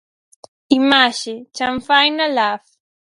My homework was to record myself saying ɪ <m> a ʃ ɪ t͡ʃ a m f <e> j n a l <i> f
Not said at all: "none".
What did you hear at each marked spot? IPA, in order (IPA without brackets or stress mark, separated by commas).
m, a, a